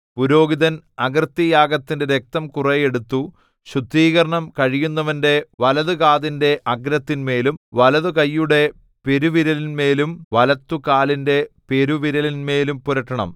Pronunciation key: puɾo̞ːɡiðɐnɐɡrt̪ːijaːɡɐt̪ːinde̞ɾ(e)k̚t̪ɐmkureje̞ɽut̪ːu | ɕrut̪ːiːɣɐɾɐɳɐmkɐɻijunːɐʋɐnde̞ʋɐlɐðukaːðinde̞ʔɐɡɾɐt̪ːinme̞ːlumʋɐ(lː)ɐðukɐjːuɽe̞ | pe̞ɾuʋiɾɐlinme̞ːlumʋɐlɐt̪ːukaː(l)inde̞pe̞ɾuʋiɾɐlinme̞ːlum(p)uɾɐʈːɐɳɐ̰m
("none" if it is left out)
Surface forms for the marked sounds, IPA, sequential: e, l, l, p

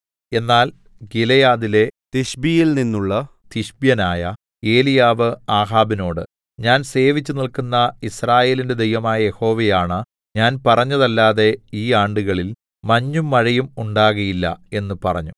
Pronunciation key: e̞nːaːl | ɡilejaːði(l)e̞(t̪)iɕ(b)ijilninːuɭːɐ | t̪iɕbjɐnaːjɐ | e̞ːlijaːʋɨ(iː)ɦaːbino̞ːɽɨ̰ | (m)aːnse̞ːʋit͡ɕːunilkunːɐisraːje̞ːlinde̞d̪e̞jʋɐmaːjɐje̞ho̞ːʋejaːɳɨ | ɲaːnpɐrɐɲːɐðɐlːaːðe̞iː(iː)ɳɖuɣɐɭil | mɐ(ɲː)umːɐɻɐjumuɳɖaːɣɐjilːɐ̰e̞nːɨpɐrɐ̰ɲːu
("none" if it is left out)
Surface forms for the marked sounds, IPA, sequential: l, t̪, b, aː, ɲ, aː, ɲː

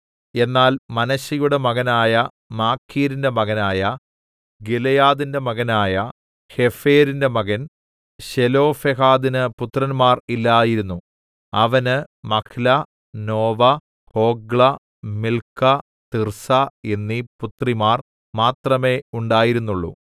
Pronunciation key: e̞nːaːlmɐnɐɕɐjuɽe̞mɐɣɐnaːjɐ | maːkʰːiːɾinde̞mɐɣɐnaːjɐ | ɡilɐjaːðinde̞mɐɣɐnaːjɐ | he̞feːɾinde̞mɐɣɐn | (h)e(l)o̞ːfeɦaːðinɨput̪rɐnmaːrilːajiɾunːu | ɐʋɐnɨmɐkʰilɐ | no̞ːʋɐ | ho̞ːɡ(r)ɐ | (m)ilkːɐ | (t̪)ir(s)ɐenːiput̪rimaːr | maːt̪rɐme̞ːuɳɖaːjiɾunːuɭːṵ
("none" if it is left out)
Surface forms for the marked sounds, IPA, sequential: ɕ, l, ɭ, m, t̪, s

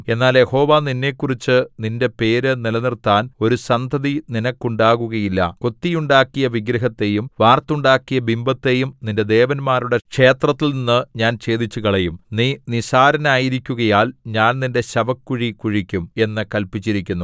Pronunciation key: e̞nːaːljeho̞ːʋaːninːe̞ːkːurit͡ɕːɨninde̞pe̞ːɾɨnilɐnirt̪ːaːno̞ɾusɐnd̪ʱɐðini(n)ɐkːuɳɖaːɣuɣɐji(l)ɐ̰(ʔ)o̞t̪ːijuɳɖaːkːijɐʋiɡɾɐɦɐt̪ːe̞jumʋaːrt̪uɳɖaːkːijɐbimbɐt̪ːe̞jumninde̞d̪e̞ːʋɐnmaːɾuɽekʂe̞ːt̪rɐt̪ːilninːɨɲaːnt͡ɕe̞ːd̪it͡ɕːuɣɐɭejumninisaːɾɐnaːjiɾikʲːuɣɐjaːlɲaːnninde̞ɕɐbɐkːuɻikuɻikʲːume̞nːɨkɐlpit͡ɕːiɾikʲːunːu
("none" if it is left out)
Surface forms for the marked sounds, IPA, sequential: n, lː, k

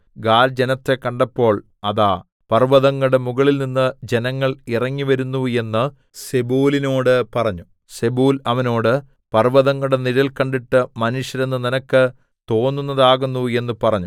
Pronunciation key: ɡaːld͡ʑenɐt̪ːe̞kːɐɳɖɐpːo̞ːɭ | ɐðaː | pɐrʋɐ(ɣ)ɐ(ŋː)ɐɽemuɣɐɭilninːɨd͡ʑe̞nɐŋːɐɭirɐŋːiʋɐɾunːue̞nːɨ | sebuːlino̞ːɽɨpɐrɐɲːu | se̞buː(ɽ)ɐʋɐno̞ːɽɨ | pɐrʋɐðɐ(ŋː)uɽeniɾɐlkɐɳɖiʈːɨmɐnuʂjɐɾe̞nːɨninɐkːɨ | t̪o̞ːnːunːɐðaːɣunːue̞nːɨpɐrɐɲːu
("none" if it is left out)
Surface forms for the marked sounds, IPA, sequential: ð, ŋː, l, ŋː

